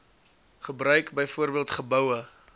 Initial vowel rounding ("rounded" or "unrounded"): unrounded